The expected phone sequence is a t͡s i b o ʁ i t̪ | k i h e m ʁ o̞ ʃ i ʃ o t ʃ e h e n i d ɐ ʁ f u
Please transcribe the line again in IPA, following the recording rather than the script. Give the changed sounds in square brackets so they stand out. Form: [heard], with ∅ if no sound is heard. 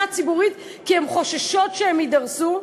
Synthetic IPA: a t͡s i b [u] ʁ i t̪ | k i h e m [χ] o̞ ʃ [a] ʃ o t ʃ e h e [m] i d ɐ ʁ [s] u